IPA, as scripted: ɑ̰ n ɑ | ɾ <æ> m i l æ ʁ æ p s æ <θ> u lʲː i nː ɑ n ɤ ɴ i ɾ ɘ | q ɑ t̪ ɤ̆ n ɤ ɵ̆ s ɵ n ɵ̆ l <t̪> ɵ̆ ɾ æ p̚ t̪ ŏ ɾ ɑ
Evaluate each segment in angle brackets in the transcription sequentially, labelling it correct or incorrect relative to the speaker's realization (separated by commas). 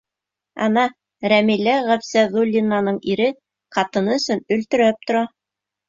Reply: correct, incorrect, correct